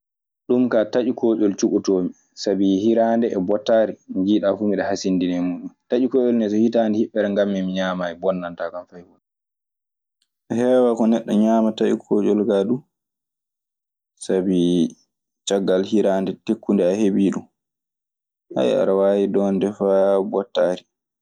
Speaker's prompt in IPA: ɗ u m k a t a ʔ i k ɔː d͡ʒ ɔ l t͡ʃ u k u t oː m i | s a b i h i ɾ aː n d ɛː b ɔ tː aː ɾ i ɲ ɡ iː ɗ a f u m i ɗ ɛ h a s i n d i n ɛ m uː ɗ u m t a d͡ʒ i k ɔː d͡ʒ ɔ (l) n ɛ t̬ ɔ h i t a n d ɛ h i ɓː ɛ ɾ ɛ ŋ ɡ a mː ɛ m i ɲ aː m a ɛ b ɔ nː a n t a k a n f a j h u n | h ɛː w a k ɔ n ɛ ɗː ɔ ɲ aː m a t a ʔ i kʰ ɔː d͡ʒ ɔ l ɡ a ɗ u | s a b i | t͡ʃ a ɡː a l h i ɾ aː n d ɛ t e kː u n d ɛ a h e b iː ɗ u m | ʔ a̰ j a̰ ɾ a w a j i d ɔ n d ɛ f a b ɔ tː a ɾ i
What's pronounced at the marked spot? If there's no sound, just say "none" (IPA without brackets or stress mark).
l